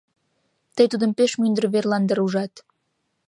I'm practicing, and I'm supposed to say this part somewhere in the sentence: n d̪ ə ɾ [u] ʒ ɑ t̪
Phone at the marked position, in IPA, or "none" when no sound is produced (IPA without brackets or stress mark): u